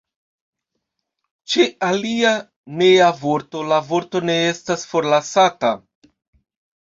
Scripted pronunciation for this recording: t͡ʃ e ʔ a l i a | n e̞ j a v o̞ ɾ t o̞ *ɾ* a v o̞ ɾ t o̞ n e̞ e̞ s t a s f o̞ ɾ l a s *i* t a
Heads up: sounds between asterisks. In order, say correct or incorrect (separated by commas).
incorrect, incorrect